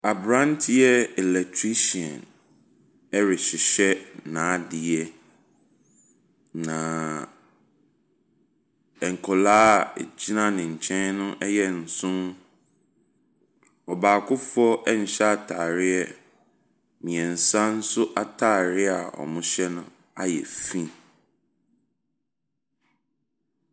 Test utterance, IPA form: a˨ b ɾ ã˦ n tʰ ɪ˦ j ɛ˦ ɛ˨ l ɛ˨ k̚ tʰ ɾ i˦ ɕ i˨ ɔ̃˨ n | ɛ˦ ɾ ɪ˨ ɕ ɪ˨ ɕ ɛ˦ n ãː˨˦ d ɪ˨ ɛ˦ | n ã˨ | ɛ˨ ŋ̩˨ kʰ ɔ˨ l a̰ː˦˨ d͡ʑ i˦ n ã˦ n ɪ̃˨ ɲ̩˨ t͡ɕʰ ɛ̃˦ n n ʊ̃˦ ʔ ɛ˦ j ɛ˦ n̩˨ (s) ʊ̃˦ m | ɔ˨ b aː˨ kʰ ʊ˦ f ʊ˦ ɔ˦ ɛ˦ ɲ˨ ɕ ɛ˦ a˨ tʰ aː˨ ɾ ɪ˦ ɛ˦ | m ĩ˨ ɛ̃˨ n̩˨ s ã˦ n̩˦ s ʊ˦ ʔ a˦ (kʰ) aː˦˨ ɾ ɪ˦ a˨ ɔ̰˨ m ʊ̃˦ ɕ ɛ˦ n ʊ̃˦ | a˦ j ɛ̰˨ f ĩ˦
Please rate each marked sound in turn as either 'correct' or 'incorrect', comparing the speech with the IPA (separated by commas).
correct, incorrect